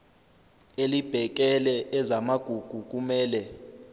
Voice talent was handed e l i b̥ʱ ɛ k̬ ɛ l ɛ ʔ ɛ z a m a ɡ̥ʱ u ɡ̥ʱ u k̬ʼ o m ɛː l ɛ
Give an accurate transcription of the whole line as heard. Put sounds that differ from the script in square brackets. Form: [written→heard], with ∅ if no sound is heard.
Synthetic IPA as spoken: e l i b̥ʱ ɛ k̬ ɛ l ɛ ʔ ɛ z a m a ɡ̥ʱ u ɡ̥ʱ u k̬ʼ [o→u] m ɛː l ɛ